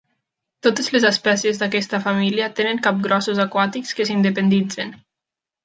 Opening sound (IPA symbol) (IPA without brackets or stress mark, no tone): t̪